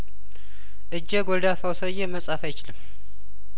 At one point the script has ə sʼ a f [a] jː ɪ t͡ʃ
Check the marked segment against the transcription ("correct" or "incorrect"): correct